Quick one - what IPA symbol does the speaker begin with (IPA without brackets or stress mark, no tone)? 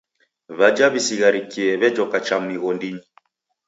β